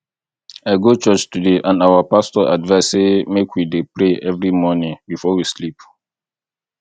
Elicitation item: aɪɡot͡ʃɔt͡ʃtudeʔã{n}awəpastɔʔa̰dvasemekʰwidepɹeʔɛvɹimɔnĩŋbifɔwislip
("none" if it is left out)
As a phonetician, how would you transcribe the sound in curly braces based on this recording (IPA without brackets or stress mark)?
n